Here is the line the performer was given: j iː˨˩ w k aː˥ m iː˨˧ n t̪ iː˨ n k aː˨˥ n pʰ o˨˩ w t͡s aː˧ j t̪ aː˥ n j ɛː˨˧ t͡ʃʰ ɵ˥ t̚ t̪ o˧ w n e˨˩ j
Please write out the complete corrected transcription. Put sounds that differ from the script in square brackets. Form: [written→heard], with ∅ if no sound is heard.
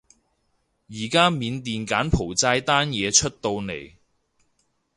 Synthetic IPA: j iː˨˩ [w→∅] k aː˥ m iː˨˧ n t̪ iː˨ n k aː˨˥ n pʰ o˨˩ w t͡s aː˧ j t̪ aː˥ n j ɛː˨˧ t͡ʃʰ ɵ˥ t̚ t̪ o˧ w n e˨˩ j